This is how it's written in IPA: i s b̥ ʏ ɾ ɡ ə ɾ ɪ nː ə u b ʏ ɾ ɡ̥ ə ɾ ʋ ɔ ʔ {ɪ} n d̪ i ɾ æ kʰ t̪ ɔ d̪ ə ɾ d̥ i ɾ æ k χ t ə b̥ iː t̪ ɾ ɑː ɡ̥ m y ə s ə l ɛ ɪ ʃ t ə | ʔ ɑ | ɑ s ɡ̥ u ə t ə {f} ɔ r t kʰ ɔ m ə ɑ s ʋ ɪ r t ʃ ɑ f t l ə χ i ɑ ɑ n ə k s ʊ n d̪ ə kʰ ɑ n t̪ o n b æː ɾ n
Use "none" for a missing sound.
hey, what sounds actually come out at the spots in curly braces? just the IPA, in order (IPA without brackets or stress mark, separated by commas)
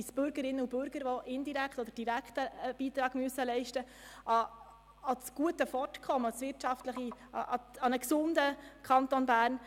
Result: ɪ, f